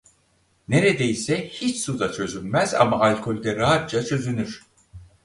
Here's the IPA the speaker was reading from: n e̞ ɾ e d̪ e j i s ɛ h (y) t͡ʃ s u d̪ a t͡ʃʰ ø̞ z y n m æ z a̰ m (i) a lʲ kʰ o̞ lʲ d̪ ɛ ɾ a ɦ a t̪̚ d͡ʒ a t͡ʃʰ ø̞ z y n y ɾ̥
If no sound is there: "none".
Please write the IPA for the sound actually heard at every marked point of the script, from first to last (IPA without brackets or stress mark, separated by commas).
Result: i, a